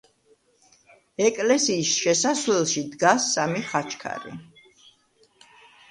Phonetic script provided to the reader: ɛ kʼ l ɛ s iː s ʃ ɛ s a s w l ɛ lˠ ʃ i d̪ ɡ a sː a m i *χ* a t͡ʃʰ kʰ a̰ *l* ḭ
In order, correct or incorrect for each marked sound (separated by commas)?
correct, incorrect